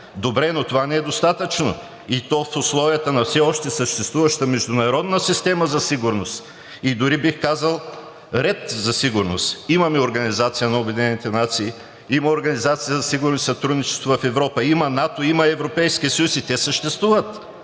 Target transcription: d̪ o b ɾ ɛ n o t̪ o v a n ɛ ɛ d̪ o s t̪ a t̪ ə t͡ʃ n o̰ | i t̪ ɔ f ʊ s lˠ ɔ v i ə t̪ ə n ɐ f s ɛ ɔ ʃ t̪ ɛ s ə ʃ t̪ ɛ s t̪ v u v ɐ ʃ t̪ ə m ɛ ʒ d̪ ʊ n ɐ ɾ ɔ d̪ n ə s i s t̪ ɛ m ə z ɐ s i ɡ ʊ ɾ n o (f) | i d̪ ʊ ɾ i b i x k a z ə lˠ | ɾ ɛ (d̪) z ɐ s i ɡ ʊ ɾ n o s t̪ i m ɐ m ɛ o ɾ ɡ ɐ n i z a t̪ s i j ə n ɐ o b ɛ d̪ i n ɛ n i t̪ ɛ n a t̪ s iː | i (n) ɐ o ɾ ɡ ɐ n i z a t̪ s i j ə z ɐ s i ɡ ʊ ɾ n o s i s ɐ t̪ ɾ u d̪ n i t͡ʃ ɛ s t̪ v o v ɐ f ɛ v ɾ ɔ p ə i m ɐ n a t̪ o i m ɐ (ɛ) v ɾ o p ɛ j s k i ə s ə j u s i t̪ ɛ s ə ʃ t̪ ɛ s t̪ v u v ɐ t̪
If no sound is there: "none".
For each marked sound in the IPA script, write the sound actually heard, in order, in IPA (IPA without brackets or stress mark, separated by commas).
s, t̪, m, ɛ